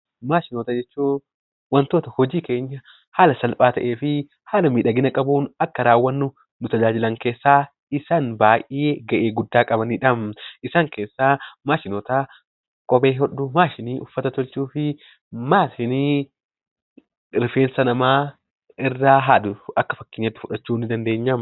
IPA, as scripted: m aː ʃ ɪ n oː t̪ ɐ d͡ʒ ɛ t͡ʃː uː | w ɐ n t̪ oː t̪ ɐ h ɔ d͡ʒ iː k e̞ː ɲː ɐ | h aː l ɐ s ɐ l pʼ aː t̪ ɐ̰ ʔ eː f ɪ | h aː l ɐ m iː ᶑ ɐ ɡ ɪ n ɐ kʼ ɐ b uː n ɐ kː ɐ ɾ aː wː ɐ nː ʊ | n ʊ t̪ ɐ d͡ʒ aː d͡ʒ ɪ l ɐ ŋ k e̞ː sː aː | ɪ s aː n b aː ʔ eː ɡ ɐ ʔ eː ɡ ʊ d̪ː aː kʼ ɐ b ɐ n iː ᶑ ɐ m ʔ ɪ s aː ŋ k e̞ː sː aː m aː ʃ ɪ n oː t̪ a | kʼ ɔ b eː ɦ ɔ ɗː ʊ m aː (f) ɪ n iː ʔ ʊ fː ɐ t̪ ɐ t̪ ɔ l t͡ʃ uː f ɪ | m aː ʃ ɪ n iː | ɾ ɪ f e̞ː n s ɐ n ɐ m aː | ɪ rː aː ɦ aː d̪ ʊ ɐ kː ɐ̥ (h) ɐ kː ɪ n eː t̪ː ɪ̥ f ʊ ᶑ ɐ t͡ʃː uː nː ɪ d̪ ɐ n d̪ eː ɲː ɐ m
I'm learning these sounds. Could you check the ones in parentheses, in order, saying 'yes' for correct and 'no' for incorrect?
no, no

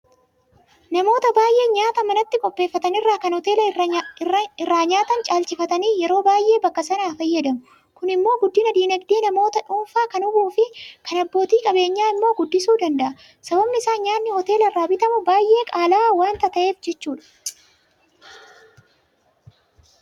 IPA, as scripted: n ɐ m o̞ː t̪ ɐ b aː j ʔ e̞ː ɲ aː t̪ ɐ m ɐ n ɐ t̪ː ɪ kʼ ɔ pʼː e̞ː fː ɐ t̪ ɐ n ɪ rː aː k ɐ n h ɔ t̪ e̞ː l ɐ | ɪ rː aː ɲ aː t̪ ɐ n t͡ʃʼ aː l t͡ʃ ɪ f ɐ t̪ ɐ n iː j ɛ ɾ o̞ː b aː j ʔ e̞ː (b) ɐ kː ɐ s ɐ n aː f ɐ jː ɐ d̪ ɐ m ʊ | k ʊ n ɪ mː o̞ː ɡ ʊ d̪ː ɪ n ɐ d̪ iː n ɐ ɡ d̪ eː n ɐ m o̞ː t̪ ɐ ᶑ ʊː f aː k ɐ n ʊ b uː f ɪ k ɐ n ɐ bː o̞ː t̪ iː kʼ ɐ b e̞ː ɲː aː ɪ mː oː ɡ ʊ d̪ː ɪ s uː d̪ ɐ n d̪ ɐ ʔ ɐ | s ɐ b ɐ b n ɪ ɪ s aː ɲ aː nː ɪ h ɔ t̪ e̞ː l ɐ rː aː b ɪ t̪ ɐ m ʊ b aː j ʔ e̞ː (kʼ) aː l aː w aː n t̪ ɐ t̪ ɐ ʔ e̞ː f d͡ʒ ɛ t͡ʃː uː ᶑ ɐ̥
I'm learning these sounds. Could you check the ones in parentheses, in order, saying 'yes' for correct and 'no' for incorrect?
yes, yes

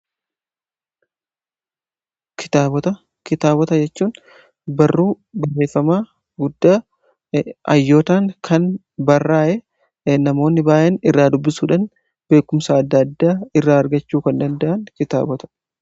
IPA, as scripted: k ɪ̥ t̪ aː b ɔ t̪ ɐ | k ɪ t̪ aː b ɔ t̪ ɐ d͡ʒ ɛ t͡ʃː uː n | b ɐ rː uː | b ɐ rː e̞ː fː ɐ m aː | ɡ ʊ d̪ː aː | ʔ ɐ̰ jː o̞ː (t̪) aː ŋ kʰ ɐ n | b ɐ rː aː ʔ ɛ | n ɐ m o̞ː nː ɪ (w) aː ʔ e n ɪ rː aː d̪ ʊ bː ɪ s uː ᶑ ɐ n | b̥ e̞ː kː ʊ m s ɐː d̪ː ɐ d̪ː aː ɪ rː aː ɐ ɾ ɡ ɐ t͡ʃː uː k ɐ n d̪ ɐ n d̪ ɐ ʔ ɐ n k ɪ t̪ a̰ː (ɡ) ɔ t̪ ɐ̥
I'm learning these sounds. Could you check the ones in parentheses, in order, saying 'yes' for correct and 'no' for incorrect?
yes, no, no

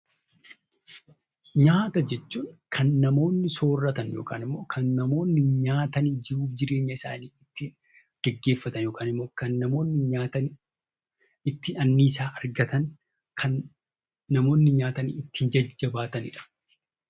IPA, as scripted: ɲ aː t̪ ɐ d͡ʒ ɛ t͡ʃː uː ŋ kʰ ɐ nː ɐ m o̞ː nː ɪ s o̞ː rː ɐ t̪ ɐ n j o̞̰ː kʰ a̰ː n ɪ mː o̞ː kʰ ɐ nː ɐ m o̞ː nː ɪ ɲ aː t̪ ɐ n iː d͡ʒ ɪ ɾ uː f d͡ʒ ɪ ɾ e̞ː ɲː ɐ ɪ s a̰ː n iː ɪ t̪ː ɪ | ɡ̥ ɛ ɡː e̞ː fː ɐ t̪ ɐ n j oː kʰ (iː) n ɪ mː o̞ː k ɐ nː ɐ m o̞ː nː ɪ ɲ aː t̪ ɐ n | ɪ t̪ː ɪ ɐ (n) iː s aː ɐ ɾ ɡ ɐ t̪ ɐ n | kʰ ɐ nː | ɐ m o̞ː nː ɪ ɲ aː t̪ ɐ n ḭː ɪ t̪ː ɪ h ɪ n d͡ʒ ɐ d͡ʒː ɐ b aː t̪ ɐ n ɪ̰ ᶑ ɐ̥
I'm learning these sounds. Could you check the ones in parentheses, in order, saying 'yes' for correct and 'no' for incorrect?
no, no

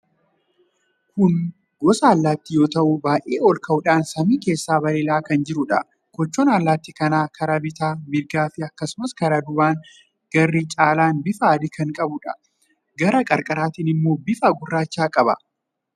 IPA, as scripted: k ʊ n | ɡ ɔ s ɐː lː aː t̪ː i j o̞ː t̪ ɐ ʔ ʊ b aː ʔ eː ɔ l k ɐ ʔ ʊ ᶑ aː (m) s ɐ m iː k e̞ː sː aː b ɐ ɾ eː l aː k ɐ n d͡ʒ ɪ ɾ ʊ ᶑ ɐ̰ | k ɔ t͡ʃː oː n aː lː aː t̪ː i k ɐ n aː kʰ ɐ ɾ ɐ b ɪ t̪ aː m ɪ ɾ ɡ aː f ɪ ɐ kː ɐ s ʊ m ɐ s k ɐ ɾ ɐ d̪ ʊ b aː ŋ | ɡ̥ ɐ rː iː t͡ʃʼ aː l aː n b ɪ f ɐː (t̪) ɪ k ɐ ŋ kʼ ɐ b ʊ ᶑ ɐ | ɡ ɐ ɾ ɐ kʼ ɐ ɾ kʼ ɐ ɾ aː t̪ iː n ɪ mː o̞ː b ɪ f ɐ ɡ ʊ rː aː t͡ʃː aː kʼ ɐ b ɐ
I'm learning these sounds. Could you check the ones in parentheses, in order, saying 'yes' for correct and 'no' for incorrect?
no, no

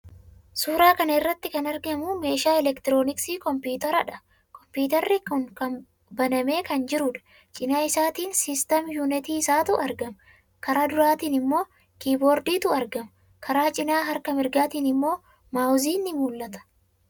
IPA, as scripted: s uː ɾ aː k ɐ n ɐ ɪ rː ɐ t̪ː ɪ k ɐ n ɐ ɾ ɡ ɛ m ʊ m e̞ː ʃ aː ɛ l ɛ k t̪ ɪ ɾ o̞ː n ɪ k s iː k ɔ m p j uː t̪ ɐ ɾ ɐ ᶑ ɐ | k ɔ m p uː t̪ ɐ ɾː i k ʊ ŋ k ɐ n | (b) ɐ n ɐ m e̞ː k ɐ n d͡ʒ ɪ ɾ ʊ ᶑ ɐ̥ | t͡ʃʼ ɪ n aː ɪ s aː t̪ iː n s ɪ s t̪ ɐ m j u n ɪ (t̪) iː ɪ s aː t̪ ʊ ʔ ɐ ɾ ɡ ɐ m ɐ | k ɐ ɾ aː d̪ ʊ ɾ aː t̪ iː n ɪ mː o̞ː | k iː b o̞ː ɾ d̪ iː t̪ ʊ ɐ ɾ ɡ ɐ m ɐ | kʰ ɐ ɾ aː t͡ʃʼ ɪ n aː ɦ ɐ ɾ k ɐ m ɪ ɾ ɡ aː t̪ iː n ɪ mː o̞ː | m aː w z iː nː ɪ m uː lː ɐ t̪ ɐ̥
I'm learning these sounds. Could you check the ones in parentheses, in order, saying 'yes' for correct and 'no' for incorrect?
yes, yes

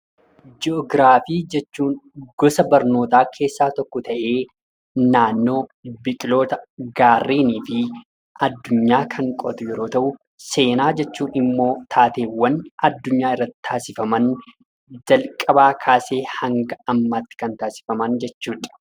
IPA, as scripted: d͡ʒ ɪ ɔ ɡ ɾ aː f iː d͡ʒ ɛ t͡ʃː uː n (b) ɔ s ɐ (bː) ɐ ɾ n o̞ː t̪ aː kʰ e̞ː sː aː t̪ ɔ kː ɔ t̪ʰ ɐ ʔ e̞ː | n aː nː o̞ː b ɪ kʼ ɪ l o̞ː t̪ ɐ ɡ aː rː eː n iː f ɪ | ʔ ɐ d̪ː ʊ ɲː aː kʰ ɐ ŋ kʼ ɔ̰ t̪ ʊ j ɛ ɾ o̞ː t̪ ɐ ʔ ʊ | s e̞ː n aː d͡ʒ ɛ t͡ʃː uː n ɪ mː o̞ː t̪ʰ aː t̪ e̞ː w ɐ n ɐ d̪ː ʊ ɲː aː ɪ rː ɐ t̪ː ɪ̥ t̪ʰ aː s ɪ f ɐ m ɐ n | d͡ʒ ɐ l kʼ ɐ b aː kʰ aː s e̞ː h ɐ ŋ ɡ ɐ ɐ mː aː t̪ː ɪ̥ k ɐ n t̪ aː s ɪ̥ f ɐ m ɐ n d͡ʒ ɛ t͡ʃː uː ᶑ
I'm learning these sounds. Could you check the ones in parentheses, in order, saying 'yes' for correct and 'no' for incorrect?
no, no

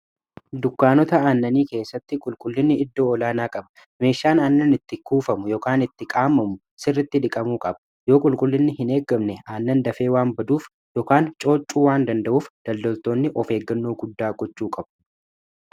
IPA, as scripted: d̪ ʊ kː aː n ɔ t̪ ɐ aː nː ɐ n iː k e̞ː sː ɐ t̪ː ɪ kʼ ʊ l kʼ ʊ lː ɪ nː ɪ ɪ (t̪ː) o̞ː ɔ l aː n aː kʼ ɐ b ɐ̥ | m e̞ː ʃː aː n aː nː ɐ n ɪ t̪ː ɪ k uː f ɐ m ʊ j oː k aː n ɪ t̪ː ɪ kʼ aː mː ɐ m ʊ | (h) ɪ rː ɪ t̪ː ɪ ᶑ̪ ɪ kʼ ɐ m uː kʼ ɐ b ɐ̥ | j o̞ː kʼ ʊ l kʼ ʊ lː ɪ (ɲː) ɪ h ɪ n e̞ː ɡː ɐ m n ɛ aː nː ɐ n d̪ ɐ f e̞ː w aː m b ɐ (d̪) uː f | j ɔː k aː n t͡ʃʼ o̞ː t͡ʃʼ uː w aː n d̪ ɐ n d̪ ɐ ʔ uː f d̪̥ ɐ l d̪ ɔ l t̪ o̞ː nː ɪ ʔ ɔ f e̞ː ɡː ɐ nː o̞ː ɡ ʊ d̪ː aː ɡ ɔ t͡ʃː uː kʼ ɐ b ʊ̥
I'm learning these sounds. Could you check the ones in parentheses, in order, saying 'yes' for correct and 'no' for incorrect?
no, no, no, yes

